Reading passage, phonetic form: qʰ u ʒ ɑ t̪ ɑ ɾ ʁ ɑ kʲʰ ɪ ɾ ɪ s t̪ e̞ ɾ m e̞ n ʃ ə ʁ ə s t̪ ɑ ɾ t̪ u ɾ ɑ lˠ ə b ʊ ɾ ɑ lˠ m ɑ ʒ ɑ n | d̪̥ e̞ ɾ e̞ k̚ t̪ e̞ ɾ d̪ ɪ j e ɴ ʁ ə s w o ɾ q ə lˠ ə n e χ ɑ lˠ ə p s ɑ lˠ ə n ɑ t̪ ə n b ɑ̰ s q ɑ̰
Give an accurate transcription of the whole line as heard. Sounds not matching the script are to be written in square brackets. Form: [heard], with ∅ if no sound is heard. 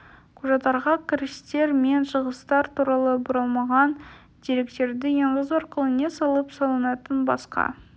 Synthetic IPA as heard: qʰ u ʒ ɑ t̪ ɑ ɾ ʁ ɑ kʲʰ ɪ ɾ ɪ s t̪ e̞ ɾ m e̞ n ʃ ə ʁ ə s t̪ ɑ ɾ t̪ u ɾ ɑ lˠ ə b ʊ ɾ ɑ lˠ m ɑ [ʁ] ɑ n | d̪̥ e̞ ɾ e̞ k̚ t̪ e̞ ɾ d̪ ɪ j e ɴ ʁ ə [z] w o ɾ q ə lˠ ə n e [s] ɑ lˠ ə p s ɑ lˠ ə n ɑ t̪ ə n b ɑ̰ s q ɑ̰

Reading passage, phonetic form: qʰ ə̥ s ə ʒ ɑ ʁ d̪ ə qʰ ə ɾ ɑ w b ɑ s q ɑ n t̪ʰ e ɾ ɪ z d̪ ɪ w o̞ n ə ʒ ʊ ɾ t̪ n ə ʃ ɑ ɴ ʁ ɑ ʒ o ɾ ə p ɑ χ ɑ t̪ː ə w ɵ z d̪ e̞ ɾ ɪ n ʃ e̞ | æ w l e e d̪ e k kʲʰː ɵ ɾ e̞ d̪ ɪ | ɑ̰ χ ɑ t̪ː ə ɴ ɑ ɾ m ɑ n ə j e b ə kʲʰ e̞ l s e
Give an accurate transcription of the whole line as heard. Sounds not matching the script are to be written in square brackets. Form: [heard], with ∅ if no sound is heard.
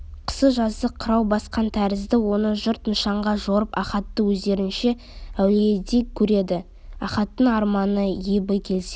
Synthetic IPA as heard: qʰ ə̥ s ə ʒ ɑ [z] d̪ ə qʰ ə ɾ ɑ w b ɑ s q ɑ n t̪ʰ [æ] ɾ ɪ z d̪ ɪ w o̞ n ə ʒ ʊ ɾ t̪ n ə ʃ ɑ ɴ ʁ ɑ ʒ o ɾ ə p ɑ χ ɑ t̪ː ə w ɵ z d̪ e̞ ɾ ɪ n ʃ e̞ | æ w l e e d̪ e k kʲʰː ɵ ɾ e̞ d̪ ɪ | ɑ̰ χ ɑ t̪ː ə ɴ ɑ ɾ m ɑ n ə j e b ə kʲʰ e̞ l s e

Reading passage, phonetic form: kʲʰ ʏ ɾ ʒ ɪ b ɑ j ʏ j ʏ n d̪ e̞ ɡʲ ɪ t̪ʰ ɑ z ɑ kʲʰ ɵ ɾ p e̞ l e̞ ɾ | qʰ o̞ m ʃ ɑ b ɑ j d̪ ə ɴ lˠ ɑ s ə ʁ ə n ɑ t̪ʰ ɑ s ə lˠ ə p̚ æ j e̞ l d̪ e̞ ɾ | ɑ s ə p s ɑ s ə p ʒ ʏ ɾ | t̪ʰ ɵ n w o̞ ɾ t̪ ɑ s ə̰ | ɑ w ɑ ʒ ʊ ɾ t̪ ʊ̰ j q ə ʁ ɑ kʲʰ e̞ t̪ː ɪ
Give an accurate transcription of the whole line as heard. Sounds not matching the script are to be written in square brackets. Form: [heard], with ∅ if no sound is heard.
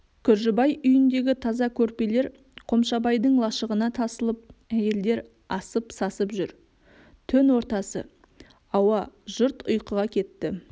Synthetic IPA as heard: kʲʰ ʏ ɾ ʒ ɪ b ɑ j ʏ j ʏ n d̪ e̞ ɡʲ ɪ t̪ʰ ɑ z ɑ kʲʰ ɵ ɾ p e̞ l e̞ ɾ | qʰ o̞ m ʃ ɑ b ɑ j d̪ ə ɴ lˠ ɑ [ʃ] ə ʁ ə n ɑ t̪ʰ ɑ s ə lˠ ə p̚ æ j e̞ l d̪ e̞ ɾ | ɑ s ə p s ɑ s ə p ʒ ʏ ɾ | t̪ʰ ɵ n w o̞ ɾ t̪ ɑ s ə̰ | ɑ w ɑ ʒ ʊ ɾ t̪ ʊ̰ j q ə ʁ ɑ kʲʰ e̞ t̪ː ɪ

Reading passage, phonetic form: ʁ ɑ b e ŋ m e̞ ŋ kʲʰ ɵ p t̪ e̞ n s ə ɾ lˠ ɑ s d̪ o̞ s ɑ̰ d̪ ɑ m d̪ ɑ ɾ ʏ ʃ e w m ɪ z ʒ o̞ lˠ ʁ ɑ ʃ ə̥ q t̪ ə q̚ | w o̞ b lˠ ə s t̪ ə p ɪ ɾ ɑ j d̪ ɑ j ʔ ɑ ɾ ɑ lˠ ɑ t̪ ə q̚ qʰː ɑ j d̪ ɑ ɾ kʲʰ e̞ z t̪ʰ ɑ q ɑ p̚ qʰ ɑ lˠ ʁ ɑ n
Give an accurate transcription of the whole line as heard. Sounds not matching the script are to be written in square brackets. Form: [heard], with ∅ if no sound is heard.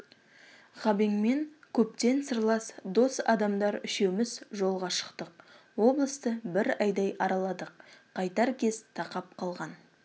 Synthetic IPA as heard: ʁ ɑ b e ŋ m e̞ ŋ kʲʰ ɵ p t̪ e̞ n s ə ɾ lˠ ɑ s d̪ o̞ s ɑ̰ d̪ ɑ m d̪ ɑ ɾ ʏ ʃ e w m ɪ z ʒ o̞ lˠ ʁ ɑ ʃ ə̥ q t̪ ə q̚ | w o̞ b lˠ ə s t̪ ə [b] ɪ ɾ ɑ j d̪ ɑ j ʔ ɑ ɾ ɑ lˠ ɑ [d̪] ə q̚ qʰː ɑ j [t̪] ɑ ɾ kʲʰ e̞ z t̪ʰ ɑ q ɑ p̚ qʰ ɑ lˠ ʁ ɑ n

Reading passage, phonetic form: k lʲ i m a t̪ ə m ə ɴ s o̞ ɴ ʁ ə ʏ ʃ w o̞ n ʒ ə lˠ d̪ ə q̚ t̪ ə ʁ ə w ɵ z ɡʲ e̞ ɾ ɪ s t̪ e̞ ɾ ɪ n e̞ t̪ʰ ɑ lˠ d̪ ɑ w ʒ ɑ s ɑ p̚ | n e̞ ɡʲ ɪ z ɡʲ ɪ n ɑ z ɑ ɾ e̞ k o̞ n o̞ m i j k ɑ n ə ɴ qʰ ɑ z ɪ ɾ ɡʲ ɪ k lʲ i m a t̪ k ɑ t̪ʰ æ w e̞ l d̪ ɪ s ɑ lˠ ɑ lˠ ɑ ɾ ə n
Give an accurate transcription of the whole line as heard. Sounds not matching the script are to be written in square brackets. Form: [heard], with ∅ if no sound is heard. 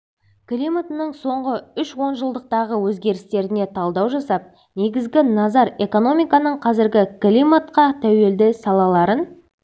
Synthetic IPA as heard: k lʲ i m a t̪ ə [n] ə ɴ s o̞ ɴ ʁ ə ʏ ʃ w o̞ n ʒ ə lˠ d̪ ə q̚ t̪ [ɑ] ʁ ə w ɵ z ɡʲ e̞ ɾ ɪ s t̪ e̞ ɾ ɪ n e̞ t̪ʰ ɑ lˠ d̪ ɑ w ʒ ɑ s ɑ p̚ | n e̞ ɡʲ ɪ z ɡʲ ɪ n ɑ z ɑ ɾ e̞ k o̞ n o̞ m i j k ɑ n ə ɴ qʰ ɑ z ɪ ɾ ɡʲ ɪ k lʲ i m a t̪ [q] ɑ t̪ʰ æ w e̞ l d̪ ɪ s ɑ lˠ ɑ lˠ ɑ ɾ ə n

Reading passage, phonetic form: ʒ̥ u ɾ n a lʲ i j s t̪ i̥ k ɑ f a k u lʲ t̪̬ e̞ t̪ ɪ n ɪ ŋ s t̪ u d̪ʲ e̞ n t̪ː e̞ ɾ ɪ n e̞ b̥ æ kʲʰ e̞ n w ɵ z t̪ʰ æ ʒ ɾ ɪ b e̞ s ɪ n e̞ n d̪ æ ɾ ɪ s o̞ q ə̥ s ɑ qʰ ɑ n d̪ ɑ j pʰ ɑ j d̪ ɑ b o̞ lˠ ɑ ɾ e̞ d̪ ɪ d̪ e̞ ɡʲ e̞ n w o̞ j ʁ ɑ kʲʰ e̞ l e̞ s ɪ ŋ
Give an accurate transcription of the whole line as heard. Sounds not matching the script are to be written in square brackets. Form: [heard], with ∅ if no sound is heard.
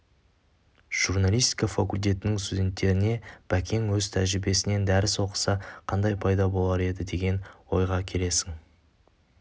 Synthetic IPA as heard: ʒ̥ u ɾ n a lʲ i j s t̪ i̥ k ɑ f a k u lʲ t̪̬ e̞ t̪ ɪ n ɪ ŋ s t̪ u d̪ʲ e̞ n t̪ː e̞ ɾ ɪ n e̞ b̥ æ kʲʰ e̞ [ŋ] w ɵ z t̪ʰ æ ʒ ɾ ɪ b e̞ s ɪ n e̞ n d̪ æ ɾ ɪ s o̞ q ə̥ s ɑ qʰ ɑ n d̪ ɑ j pʰ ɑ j d̪ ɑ b o̞ lˠ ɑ ɾ e̞ d̪ ɪ d̪ e̞ ɡʲ e̞ n w o̞ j ʁ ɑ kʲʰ e̞ l e̞ s ɪ ŋ

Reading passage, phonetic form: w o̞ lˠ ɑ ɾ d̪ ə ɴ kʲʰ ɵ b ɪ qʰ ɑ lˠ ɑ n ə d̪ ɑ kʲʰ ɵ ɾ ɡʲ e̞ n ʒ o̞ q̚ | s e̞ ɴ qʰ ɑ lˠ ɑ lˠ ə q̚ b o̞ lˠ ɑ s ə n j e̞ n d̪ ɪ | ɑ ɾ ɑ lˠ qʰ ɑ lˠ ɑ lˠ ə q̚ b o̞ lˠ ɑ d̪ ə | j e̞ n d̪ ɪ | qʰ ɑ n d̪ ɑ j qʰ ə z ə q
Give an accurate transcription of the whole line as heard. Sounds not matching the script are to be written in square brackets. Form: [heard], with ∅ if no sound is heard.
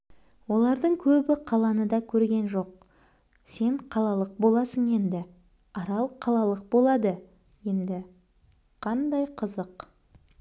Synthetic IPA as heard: w o̞ lˠ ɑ ɾ d̪ ə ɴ kʲʰ ɵ b ɪ qʰ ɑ lˠ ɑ n ə d̪ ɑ kʲʰ ɵ ɾ ɡʲ e̞ n ʒ o̞ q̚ | s e̞ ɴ qʰ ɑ lˠ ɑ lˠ ə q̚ b o̞ lˠ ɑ s ə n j e̞ n d̪ ɪ | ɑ ɾ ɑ lˠ qʰ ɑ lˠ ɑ lˠ ə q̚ b o̞ lˠ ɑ d̪ ə | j e̞ n d̪ ɪ | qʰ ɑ n d̪ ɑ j qʰ ə z ə q

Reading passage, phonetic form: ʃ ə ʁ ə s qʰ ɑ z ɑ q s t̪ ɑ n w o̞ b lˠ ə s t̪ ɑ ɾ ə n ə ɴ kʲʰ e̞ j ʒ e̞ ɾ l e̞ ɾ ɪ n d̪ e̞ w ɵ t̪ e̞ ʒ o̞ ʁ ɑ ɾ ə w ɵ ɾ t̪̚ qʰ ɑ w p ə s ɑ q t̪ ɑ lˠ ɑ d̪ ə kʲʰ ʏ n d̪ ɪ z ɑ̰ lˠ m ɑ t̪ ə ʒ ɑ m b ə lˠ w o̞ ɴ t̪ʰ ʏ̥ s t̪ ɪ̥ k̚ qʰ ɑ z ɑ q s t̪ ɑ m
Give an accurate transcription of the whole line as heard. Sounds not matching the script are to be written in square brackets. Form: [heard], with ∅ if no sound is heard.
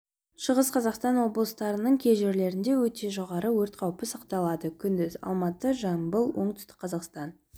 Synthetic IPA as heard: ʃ ə ʁ ə s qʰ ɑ z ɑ q s t̪ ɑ n w o̞ b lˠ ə s t̪ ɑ ɾ ə n ə ɴ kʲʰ e̞ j ʒ e̞ ɾ l e̞ ɾ ɪ n d̪ e̞ w ɵ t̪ e̞ ʒ o̞ ʁ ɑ ɾ ə w ɵ ɾ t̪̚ qʰ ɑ w p ə s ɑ q t̪ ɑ lˠ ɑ d̪ ə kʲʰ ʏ n d̪ ɪ z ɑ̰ lˠ m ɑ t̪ ə ʒ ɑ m b ə lˠ w o̞ ɴ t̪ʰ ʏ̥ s t̪ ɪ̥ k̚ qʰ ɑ z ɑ q s t̪ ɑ [n]

